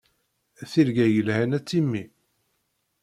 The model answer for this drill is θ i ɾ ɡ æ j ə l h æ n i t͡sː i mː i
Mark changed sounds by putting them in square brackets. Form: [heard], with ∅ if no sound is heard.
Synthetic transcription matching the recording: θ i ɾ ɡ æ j ə l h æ n [æ] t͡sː i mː i